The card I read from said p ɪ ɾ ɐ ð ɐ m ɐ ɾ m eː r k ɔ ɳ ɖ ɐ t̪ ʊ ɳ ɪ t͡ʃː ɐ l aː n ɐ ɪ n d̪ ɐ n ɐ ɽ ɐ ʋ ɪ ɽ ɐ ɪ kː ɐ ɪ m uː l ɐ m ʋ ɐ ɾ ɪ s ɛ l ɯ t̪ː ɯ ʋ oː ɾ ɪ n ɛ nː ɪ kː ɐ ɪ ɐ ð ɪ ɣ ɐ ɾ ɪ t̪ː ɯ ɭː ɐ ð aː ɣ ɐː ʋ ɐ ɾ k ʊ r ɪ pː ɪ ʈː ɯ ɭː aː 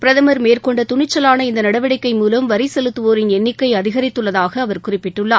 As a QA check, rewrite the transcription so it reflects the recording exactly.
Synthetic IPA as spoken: p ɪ ɾ ɐ ð ɐ m ɐ ɾ m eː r k ɔ ɳ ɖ ɐ t̪ ʊ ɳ ɪ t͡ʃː ɐ l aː n ɐ ɪ n d̪ ɐ n ɐ ɽ ɐ ʋ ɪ ɽ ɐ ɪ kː ɐ ɪ m uː l ɐ m ʋ ɐ ɾ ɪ s ɛ l ɯ t̪ː ɯ ʋ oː ɾ ɪ n ɛ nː ɪ kː ɐ ɪ ɐ ð ɪ ɣ ɐ ɾ ɪ t̪ː ɯ ɭː ɐ ð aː ɣ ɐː ʋ ɐ ɾ k ʊ r ɪ pː ɪ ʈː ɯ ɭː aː